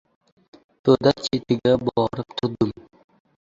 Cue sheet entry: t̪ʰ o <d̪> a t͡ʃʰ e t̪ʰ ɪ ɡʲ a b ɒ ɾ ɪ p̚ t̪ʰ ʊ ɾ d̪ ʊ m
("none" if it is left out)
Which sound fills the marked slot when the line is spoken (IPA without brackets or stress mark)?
d̪